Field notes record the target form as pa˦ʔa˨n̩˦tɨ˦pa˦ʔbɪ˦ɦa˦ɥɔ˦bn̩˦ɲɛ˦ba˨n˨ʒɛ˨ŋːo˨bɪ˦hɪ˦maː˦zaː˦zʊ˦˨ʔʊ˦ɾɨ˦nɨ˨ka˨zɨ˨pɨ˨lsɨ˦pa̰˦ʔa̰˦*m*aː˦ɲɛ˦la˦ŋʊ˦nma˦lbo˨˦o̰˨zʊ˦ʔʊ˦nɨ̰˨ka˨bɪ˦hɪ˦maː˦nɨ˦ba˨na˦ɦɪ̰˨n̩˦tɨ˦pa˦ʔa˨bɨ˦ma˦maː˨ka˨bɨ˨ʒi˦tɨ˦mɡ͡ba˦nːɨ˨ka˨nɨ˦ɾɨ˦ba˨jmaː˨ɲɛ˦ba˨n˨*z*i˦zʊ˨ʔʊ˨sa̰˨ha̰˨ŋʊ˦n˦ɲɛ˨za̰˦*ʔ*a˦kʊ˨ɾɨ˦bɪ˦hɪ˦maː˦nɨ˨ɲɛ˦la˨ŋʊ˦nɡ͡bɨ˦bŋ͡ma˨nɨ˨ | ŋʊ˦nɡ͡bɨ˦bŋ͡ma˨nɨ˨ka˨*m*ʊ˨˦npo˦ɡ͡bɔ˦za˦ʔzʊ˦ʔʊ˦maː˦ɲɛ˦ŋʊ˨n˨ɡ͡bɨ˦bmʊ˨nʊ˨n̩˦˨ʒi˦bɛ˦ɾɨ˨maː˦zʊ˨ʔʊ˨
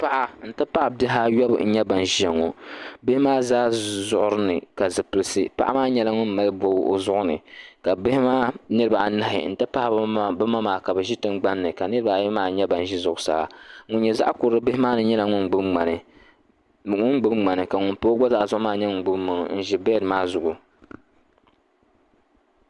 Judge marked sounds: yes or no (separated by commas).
yes, no, yes, no